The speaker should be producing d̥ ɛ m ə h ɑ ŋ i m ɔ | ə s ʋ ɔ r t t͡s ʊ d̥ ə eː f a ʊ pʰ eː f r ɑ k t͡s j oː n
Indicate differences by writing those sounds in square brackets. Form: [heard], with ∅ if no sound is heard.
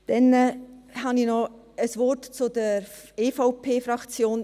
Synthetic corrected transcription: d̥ ɛ [n] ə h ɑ [n] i [n] ɔ | ə s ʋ ɔ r t t͡s ʊ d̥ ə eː f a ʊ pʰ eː f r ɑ k t͡s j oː n